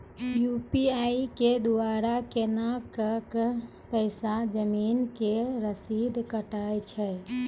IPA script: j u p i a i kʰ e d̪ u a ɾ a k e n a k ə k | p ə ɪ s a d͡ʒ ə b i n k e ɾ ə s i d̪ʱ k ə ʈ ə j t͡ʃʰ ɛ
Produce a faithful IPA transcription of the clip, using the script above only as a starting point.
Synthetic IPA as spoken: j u p i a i k e d̪ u a ɾ a k e n a k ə k | p ə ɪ s a d͡ʒ ə m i n k e ɾ ə s i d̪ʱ k ə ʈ a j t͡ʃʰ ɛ